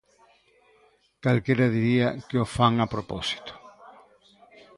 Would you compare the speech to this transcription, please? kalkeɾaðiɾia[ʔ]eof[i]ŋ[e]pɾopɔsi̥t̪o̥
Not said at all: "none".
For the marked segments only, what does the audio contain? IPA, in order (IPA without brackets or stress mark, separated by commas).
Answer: k, a, a